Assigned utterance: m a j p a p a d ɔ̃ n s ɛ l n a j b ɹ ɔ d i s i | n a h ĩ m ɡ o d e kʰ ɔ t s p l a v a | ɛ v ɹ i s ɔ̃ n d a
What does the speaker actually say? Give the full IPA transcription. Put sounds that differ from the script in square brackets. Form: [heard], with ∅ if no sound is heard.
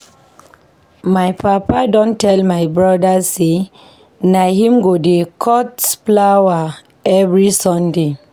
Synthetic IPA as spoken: m a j p a p a d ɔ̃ n [t] ɛ l [m] a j b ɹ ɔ d [a] s [e] | n a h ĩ m ɡ o d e kʰ ɔ t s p l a [w] a | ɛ v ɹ i s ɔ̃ n d [e]